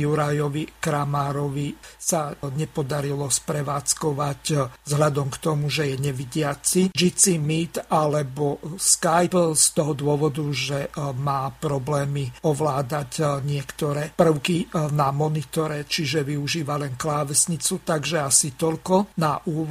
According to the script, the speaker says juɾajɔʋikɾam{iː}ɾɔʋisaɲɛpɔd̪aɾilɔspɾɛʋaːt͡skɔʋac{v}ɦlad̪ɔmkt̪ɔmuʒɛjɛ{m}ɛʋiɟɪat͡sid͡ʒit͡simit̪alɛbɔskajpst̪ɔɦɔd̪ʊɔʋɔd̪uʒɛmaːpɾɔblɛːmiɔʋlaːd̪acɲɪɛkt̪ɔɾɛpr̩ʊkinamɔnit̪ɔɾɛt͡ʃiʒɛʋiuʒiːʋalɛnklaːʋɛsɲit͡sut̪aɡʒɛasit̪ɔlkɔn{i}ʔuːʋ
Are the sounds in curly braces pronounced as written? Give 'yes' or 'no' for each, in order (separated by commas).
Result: no, no, no, no